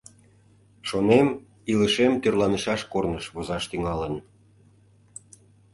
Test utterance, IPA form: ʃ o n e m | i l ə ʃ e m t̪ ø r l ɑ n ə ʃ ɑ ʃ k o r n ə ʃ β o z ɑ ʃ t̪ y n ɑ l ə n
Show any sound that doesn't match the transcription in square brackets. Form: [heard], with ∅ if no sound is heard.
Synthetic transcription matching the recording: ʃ o n e m | i l ə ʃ e m t̪ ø r l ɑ n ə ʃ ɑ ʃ k o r n ə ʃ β o z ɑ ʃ t̪ y [ŋ] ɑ l ə n